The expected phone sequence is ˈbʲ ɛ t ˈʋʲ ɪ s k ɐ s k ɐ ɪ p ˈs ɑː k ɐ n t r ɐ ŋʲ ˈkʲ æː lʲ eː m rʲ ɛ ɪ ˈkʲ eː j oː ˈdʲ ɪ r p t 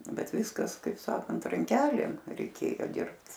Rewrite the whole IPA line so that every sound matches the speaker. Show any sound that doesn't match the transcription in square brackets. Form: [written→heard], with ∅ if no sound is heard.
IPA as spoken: ˈbʲ ɛ t ˈʋʲ ɪ s k ɐ s k ɐ ɪ p ˈs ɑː k ɐ n t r ɐ ŋʲ ˈkʲ æː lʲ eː m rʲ ɛ ɪ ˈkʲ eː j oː ˈdʲ ɪ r p t